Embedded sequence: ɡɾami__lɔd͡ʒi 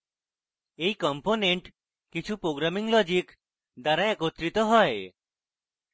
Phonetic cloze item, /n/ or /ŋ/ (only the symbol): ŋ